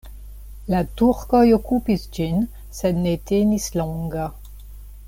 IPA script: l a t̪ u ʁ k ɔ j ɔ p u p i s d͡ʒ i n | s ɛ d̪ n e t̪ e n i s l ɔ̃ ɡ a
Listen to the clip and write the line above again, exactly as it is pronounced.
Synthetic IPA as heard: l a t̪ u ʁ k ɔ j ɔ k u p i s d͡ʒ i n | s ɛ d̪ n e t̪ e n i s l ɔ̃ ɡ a